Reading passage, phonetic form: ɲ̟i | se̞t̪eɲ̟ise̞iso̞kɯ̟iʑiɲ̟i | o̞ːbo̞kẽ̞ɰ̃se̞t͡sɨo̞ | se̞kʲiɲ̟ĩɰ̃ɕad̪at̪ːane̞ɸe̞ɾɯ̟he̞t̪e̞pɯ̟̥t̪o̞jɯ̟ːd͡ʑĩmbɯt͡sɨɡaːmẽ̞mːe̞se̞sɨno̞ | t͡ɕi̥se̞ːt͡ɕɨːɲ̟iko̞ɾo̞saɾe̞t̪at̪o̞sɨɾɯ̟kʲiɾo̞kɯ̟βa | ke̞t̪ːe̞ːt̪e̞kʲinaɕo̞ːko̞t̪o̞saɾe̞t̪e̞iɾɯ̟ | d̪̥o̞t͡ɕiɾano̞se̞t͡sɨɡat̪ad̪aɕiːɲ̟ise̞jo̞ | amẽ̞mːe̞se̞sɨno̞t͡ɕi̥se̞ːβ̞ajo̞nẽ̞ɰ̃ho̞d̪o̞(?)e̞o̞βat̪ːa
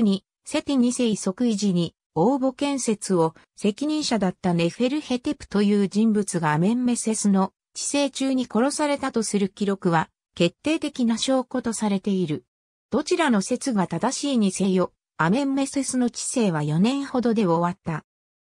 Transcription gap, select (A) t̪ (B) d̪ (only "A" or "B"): B